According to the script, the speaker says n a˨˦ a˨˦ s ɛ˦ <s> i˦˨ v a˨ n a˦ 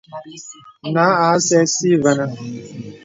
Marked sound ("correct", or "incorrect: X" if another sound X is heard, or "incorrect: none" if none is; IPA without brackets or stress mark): correct